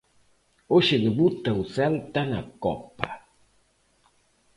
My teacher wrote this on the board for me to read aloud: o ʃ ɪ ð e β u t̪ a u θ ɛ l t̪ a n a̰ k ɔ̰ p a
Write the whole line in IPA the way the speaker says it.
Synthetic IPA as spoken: o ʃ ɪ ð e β u t̪ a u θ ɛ l t̪ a n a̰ k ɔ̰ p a